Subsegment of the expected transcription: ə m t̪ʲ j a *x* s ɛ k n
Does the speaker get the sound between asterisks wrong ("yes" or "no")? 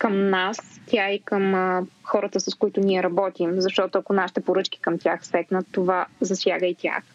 no